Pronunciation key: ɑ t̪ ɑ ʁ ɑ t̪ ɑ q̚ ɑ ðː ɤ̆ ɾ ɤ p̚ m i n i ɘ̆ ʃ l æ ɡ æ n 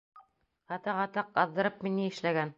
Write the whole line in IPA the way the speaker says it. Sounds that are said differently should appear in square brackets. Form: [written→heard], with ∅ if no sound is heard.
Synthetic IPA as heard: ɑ t̪ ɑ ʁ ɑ t̪ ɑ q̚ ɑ ðː ɤ̆ ɾ ɤ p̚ m i n i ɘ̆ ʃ l æ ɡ æ n